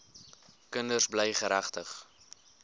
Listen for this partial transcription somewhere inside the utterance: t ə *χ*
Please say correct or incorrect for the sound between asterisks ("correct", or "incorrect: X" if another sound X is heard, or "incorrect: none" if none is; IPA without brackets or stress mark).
correct